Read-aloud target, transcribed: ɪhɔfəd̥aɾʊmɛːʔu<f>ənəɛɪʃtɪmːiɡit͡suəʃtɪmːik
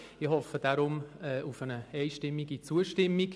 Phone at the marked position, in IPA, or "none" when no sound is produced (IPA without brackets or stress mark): f